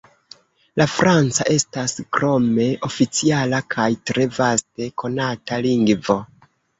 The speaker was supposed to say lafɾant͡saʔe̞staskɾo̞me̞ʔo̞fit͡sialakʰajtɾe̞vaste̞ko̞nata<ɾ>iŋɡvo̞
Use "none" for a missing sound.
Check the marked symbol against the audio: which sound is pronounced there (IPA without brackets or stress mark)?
l